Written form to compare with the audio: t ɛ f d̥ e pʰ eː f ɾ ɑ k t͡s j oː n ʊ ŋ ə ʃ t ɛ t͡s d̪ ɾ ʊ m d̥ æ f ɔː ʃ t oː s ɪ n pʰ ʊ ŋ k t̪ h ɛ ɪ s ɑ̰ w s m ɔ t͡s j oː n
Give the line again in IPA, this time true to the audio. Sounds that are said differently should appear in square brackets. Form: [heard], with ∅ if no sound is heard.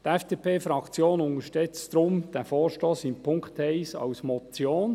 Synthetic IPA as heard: t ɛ f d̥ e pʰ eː f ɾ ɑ k t͡s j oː n ʊ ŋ ə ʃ t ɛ t͡s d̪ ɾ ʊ m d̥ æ f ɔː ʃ t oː s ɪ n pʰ ʊ ŋ k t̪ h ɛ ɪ s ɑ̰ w s m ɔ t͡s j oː n